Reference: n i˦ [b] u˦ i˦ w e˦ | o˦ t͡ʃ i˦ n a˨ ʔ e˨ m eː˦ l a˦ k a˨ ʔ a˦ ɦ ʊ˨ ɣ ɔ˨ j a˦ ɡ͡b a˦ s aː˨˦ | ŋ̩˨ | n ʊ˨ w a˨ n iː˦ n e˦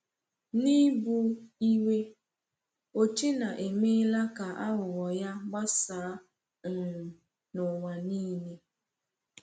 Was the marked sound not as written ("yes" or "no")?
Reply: no